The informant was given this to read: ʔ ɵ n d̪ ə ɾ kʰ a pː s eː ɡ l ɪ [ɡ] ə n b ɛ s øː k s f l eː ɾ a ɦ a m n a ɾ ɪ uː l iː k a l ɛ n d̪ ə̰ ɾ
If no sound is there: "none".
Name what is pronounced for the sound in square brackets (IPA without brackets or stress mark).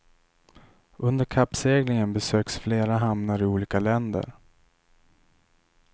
ŋ